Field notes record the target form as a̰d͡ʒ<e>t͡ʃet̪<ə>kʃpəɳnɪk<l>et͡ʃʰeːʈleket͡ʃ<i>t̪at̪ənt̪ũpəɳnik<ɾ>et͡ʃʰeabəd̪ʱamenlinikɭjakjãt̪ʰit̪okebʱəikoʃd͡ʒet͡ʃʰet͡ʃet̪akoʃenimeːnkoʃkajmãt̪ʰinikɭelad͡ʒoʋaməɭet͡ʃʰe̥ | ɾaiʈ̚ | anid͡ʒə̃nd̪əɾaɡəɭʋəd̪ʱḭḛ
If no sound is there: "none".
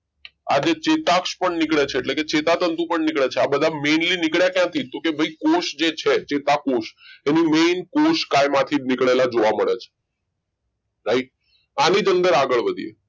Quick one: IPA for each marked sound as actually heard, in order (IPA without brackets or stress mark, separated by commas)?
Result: e, a, ɭ, e, ɭ